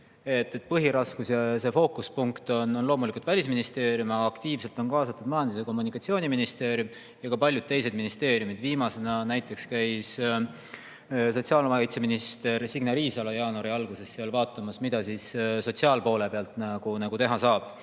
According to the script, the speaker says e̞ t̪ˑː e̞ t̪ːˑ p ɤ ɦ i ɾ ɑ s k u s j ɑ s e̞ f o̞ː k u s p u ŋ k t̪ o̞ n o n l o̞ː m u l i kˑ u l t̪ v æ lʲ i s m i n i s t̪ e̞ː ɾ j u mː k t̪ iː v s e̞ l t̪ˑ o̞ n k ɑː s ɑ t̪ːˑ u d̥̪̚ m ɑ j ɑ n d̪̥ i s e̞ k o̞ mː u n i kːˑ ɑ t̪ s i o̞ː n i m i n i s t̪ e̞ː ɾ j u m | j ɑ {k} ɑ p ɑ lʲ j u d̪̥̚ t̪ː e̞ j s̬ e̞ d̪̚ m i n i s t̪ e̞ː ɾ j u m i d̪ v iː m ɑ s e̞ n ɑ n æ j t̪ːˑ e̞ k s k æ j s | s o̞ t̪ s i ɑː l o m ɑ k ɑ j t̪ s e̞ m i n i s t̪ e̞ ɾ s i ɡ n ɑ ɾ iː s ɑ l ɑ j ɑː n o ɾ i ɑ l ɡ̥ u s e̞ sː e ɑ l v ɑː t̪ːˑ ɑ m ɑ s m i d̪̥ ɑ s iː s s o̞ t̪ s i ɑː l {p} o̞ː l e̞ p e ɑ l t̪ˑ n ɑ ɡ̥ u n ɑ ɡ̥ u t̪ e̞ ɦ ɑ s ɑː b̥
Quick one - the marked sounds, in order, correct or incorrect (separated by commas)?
correct, correct